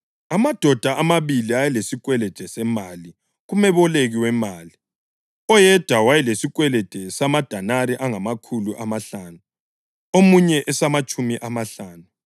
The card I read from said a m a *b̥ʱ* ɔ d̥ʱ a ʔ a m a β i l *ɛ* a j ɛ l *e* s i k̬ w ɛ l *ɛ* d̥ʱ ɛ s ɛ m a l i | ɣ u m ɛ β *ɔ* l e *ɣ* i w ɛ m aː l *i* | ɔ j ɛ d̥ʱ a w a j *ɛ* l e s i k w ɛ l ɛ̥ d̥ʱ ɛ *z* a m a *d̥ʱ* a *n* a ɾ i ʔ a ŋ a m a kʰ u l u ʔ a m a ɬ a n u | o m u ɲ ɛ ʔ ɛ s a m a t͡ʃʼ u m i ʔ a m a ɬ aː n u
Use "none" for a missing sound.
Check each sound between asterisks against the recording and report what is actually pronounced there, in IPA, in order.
d̥ʱ, i, e, ɛ, ɔ, ɣ, i, ɛ, s, d̥ʱ, n

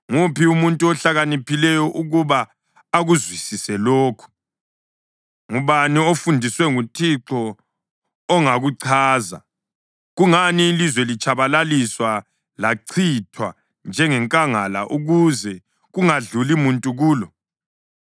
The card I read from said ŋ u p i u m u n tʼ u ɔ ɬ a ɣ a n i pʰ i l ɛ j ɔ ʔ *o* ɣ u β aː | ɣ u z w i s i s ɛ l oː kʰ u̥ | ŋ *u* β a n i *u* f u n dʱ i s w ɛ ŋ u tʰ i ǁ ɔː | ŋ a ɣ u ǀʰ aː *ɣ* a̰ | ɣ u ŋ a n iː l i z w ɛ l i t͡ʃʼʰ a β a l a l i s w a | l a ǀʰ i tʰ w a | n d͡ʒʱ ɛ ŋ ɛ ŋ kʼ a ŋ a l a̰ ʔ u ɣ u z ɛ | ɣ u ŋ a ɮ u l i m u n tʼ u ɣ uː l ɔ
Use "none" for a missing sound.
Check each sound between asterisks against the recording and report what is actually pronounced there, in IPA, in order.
u, u, o, z

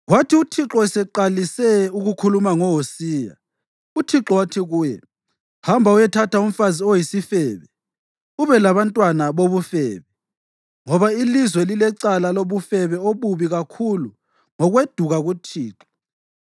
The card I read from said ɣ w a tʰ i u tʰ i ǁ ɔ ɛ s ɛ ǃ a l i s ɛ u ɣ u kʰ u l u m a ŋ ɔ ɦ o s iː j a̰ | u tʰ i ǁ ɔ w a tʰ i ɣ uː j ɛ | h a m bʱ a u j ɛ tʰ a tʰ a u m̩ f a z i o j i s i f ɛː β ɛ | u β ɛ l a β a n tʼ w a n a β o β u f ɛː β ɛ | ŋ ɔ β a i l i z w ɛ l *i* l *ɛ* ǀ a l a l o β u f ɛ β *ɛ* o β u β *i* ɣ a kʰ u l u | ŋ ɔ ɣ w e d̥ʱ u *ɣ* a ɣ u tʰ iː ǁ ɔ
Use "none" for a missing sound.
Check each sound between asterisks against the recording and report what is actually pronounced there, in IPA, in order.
i, ɛ, ɛ, i, ɣ

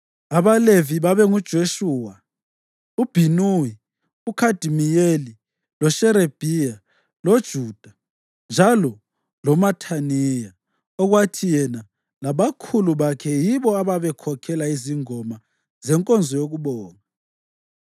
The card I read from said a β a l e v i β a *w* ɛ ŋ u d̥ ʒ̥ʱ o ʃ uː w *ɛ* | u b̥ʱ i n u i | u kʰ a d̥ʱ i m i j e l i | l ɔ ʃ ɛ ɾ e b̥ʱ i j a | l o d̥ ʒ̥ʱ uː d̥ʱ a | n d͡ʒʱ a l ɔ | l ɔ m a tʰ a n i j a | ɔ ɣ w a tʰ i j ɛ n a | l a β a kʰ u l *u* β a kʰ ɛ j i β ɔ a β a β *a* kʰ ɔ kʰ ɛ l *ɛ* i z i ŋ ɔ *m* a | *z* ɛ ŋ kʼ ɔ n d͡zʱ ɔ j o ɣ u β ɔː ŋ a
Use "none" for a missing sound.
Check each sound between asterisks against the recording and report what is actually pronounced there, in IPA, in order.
β, a, u, ɛ, a, m, z

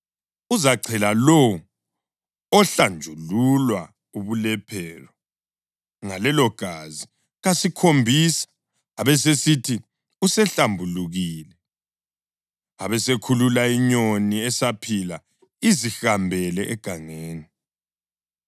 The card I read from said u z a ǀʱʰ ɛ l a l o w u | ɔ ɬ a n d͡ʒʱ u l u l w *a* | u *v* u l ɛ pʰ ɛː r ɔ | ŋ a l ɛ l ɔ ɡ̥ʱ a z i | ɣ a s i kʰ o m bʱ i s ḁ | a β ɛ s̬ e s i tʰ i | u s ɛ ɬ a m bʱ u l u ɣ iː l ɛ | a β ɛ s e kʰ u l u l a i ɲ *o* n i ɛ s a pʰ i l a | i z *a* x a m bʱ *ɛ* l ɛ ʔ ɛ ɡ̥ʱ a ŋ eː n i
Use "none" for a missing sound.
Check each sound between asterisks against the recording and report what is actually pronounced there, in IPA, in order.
a, β, o, i, ɛ

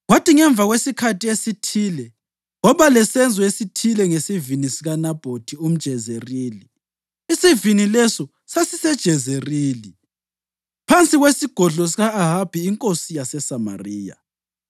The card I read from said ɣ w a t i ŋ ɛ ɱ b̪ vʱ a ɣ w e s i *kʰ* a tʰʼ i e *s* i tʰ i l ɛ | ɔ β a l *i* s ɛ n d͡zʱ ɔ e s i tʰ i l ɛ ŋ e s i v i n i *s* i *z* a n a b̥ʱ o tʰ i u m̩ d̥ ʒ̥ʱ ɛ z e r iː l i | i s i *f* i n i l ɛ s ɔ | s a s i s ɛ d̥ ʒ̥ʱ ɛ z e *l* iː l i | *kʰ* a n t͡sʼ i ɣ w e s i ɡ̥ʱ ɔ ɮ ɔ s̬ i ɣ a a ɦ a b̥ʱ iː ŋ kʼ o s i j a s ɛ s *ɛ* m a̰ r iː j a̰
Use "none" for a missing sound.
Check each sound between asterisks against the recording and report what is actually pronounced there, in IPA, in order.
kʰ, s, ɛ, s, ɣ, v, r, pʰ, a

